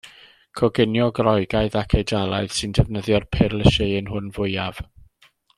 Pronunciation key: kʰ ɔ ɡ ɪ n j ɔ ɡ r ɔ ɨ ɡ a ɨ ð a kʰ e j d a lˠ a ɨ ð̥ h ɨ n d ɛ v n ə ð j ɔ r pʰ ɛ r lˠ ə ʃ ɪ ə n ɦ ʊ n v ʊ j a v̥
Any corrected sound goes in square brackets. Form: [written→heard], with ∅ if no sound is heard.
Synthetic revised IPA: kʰ ɔ ɡ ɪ n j ɔ ɡ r ɔ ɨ ɡ a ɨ ð a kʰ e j d a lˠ a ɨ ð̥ [h→s] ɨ n d ɛ v n ə ð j ɔ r pʰ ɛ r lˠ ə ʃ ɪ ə n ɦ ʊ n v ʊ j a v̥